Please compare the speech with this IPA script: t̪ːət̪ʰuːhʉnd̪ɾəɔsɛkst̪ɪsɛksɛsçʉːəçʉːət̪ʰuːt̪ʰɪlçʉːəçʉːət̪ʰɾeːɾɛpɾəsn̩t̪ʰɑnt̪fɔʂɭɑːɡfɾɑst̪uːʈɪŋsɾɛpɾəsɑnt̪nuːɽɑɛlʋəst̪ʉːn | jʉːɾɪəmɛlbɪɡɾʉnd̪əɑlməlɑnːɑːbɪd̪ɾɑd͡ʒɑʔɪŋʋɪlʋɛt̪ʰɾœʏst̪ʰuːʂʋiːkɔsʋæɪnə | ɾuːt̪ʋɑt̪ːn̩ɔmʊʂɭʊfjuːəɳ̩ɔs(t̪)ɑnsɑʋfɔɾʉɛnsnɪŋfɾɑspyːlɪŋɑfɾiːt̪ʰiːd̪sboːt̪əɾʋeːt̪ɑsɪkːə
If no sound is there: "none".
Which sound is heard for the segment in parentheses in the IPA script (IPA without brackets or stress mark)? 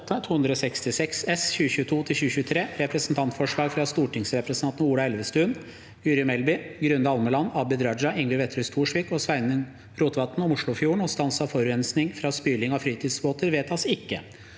t̪